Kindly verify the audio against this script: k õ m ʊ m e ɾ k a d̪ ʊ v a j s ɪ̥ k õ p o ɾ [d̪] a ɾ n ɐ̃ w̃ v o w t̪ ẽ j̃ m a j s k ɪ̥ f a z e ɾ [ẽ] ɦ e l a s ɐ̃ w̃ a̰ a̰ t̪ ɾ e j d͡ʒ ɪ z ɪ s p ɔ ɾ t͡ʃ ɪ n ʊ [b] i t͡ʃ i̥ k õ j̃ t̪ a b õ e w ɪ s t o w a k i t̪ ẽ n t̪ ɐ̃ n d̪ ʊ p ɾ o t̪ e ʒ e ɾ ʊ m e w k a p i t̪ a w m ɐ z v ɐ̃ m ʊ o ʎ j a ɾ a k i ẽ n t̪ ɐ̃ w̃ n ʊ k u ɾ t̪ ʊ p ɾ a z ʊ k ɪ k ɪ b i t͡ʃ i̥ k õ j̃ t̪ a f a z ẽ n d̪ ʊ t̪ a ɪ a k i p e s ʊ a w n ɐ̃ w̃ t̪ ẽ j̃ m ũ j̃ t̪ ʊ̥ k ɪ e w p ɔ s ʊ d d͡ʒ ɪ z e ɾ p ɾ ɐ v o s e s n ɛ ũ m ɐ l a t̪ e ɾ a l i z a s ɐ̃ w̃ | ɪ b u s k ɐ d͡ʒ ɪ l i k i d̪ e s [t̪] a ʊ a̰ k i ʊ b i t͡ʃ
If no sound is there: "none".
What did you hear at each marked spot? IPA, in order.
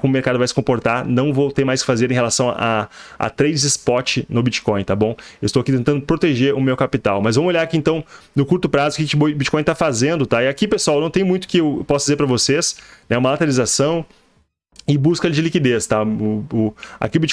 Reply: t̪, ẽ, b, t̪

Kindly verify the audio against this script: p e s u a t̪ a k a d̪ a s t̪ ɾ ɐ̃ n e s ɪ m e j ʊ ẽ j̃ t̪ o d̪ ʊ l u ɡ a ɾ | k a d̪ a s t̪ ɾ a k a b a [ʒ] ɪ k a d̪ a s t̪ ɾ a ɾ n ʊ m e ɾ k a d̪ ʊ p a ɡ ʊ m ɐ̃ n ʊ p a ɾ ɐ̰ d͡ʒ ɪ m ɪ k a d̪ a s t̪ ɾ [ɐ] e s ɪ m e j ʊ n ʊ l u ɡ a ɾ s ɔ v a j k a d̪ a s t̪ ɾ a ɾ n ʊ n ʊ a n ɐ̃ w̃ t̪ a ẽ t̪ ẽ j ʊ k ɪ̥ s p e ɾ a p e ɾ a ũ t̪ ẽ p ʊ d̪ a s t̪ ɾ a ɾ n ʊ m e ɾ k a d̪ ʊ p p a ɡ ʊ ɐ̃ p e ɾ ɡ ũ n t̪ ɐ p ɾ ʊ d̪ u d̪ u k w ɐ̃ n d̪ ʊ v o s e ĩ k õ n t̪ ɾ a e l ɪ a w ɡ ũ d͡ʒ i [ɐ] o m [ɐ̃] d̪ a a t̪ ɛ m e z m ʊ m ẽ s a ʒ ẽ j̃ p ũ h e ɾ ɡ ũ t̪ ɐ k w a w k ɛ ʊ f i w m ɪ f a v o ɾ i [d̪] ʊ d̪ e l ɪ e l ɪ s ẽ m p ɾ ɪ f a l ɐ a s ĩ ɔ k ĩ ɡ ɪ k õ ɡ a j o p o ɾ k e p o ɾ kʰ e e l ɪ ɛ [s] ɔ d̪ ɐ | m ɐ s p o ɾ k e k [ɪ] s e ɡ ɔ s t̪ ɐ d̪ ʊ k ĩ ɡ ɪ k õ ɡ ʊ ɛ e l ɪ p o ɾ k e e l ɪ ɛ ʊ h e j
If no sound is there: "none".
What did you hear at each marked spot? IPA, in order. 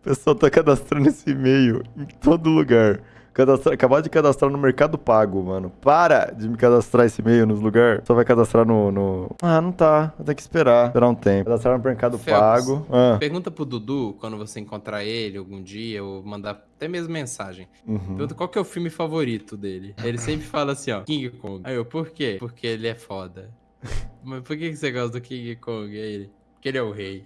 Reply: d͡ʒ, a, ɐ, ɐ̃, t̪, f, ɪ

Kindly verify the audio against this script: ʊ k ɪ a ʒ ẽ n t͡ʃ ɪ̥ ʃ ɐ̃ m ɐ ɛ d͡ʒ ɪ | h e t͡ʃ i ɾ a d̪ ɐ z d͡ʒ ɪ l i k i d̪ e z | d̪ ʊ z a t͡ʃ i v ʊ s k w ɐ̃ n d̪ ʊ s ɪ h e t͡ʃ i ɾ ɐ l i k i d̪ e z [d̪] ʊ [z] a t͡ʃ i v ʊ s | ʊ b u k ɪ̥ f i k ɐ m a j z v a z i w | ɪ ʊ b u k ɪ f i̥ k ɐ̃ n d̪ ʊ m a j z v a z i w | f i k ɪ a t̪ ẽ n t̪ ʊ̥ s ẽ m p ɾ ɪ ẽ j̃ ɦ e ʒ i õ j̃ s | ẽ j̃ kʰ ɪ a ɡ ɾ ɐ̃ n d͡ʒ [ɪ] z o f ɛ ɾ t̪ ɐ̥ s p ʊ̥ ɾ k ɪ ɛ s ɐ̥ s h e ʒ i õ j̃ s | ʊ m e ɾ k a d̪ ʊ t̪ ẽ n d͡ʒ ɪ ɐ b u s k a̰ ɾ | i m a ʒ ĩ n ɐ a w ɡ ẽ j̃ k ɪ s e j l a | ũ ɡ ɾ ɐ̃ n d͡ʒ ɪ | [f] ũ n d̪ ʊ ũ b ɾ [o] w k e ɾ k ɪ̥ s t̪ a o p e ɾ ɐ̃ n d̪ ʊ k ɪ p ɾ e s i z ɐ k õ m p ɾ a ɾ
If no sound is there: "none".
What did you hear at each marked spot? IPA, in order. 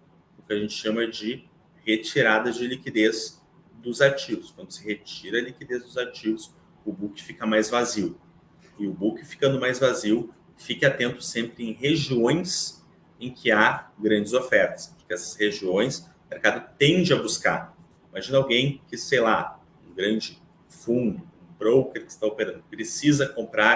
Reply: d̪, z, ɪ, f, o

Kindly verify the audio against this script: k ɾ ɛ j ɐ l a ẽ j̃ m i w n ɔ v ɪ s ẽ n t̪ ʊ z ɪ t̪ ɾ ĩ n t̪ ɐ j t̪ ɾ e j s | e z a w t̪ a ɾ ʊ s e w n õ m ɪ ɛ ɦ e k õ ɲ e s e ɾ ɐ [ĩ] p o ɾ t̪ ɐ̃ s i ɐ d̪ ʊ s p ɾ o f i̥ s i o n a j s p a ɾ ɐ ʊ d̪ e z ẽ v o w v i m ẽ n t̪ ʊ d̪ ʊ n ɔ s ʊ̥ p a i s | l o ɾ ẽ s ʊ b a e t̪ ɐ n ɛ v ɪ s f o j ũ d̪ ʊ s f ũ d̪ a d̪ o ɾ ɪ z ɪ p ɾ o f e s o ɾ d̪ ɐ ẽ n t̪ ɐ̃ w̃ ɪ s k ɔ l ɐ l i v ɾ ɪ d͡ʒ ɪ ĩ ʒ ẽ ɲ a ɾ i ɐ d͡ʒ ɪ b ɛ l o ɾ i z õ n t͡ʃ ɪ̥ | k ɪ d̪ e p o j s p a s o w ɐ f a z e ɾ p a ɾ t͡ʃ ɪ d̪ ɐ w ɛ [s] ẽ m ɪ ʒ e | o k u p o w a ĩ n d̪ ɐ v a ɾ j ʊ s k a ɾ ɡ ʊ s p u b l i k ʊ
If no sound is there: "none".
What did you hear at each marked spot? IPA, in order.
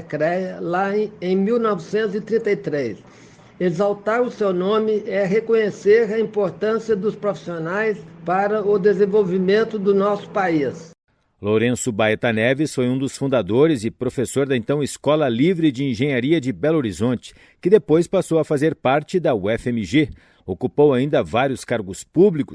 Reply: ĩ, f

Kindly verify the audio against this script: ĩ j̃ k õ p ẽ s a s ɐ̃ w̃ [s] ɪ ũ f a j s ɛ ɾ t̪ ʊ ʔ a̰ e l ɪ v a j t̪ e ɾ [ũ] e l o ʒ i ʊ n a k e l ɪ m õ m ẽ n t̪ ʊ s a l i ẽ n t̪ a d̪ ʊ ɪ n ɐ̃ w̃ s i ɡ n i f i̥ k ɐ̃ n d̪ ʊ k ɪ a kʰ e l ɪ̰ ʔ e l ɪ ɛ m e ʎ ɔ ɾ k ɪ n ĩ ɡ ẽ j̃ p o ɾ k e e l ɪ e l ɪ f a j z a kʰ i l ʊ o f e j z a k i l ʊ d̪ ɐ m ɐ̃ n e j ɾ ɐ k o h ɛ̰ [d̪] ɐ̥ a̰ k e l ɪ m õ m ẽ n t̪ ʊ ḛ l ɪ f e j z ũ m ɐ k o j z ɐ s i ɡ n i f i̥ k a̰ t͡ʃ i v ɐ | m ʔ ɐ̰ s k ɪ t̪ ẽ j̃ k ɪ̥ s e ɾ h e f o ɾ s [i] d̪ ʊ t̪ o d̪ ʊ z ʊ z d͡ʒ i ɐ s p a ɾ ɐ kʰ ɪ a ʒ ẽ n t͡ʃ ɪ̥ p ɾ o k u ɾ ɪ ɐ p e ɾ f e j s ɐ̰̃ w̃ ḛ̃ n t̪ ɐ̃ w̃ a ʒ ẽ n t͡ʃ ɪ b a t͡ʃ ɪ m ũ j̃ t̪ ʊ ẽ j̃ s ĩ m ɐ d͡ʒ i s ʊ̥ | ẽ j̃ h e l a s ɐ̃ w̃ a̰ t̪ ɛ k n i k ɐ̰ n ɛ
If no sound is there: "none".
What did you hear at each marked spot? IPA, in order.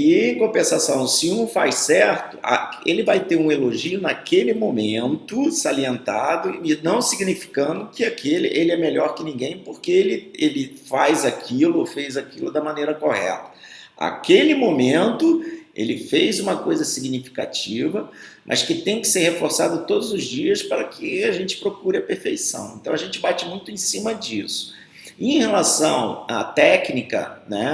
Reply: s, ũ, t̪, a

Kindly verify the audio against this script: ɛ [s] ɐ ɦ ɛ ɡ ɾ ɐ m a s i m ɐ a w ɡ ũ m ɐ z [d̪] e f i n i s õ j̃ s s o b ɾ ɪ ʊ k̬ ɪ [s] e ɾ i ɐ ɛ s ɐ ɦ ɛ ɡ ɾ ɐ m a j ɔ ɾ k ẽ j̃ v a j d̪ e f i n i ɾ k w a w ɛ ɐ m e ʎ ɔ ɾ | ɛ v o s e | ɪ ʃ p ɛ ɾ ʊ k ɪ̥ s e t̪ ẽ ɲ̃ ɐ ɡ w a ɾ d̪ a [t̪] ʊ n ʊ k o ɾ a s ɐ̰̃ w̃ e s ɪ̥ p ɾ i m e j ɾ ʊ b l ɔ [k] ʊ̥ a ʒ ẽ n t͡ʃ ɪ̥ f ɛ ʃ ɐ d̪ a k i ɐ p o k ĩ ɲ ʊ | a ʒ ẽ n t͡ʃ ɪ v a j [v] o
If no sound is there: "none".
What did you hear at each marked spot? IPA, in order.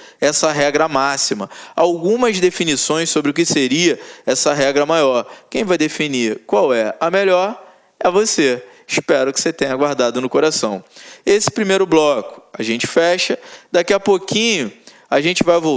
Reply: s, d̪, s, d̪, k, v

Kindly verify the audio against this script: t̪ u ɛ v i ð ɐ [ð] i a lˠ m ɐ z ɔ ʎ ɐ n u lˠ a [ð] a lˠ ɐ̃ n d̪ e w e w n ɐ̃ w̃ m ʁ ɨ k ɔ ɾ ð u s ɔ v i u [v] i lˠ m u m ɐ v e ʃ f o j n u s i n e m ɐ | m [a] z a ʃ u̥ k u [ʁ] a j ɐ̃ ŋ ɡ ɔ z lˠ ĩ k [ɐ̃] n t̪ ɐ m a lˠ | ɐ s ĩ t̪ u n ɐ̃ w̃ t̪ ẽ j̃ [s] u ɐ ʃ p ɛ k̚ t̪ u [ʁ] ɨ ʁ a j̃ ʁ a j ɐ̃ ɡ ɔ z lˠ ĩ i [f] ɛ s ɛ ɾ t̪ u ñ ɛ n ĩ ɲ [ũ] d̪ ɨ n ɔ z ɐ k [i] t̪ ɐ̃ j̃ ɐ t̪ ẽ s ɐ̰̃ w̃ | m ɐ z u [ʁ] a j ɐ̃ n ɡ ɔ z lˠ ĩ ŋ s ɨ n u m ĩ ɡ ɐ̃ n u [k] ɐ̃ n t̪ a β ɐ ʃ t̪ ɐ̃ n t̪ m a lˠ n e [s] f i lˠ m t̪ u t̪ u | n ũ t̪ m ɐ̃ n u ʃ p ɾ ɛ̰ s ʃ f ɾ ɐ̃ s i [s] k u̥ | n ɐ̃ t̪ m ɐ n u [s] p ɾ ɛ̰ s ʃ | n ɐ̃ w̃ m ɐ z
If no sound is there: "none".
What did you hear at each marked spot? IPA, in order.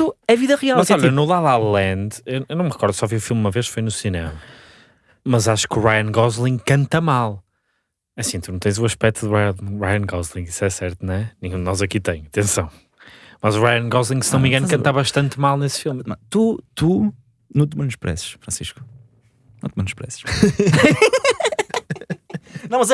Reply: ʁ, ð, f, ɐ, ʁ, ɐ̃, z, ð, s, ũ, i, ʁ, k, s, ʃ, ʃ

